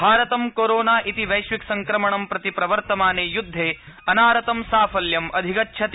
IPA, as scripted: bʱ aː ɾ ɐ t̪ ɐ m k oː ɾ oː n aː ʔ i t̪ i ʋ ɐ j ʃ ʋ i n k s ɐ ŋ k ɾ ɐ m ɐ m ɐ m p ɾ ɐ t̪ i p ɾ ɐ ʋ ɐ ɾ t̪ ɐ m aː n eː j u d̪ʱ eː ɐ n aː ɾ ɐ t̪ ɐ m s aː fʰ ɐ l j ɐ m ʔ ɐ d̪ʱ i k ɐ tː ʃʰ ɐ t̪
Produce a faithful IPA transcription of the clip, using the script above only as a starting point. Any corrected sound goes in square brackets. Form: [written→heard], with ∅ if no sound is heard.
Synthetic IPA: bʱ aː ɾ ɐ t̪ ɐ m k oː ɾ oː n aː ʔ i t̪ i ʋ ɐ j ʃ ʋ i [n→∅] k s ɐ ŋ k ɾ ɐ m ɐ [m→ɳ] ɐ m p ɾ ɐ t̪ i p ɾ ɐ ʋ ɐ ɾ t̪ ɐ m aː n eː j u [d̪ʱ→d̪ʱː] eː ɐ n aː ɾ ɐ t̪ ɐ m s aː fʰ ɐ l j ɐ m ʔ ɐ d̪ʱ i k ɐ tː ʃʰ ɐ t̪